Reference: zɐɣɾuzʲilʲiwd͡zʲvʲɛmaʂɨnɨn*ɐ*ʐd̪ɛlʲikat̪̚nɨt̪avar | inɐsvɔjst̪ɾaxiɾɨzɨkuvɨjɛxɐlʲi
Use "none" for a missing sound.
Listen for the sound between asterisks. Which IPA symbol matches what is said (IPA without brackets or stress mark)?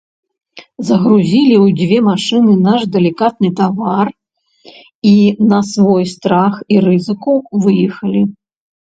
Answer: a